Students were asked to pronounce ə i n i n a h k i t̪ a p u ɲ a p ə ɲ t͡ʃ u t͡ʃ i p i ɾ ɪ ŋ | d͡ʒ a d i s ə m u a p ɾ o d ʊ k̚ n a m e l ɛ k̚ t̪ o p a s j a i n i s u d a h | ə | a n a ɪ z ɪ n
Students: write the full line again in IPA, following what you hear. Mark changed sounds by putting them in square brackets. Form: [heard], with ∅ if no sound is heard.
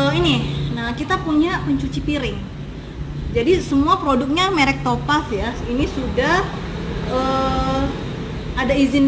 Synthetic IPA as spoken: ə i n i n a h k i t̪ a p u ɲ a p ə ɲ t͡ʃ u t͡ʃ i p i ɾ ɪ ŋ | d͡ʒ a d i s ə m u a p ɾ o d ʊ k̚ [ɲ] a m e [ɾ] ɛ k̚ t̪ o p a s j a i n i s u d a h | ə | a [d] a [i] z ɪ n